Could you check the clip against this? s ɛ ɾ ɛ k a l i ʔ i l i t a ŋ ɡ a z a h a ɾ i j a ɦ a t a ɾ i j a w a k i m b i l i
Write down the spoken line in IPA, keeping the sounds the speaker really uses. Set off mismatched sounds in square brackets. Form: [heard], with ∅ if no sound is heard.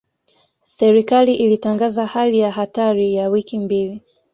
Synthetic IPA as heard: s ɛ ɾ [i] k a l i ʔ i l i t a ŋ ɡ a z a h a [l] i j a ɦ a t a ɾ i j a w [i] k i m b i l i